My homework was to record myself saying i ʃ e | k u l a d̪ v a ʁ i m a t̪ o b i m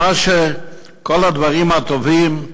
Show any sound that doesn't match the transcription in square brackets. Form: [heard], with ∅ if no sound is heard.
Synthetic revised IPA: [a] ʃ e | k [o] l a d̪ v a ʁ i m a t̪ o [v] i m

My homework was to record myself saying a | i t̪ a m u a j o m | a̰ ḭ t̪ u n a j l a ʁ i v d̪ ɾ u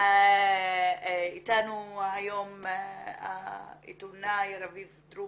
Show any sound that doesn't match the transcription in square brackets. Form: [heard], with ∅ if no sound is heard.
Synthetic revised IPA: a | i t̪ a [n] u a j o m | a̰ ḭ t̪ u n a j [ɾ] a [v] i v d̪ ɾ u

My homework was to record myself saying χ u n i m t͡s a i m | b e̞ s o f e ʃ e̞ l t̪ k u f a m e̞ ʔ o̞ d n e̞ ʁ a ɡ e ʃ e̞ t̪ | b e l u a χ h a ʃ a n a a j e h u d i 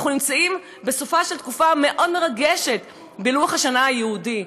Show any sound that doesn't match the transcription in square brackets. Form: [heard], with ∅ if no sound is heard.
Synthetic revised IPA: χ u n i m t͡s a i m | b e̞ s o f [a] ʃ e̞ l t̪ k u f a m e̞ ʔ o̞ d [m] e̞ ʁ a ɡ e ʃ e̞ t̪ | b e l u a χ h a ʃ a n a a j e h u d i

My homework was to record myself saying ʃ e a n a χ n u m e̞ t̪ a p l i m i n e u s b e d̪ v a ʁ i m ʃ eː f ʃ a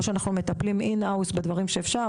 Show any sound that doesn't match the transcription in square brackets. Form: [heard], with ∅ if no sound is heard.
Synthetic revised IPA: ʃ e a n a χ n u m e̞ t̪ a p l i m i n [a] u s b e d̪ v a ʁ i m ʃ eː f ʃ a

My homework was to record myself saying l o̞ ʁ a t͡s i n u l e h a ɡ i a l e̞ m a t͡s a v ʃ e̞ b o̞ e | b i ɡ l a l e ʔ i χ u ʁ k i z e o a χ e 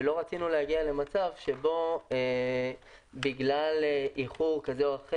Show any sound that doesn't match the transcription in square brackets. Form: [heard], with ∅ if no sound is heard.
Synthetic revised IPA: l o̞ ʁ a t͡s i n u l e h a ɡ i a l e̞ m a t͡s a v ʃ e̞ b o̞ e | b i ɡ l a l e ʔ i χ u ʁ k [a] z e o a χ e

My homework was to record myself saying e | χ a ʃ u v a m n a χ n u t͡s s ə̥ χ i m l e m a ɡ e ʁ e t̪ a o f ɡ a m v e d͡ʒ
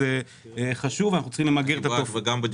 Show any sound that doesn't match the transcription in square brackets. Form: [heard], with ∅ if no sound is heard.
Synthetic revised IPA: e | χ a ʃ u v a [∅] n a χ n u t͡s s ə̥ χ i m l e m a ɡ e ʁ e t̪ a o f ɡ a m [b] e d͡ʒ

